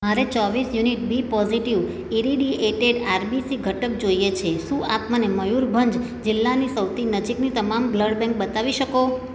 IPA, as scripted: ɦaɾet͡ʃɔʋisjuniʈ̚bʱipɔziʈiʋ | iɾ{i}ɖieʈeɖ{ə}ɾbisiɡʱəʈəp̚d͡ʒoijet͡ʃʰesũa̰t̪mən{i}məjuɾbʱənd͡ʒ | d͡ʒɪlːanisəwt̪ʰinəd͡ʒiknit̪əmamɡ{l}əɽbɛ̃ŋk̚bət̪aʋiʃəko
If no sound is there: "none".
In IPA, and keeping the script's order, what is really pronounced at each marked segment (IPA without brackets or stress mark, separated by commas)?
i, a, e, l